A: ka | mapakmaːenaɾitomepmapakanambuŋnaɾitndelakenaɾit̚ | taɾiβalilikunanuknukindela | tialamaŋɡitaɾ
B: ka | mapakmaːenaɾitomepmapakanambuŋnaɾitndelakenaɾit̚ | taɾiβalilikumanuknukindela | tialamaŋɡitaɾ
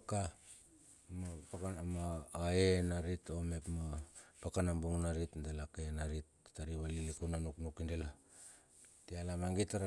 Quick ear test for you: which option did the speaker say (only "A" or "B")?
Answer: A